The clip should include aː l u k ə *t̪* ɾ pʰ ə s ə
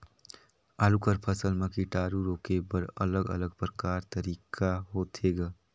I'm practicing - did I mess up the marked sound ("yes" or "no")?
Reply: yes